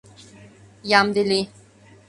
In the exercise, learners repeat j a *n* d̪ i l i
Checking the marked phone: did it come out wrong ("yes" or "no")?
yes